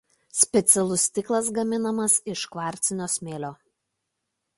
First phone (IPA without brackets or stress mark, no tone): sʲ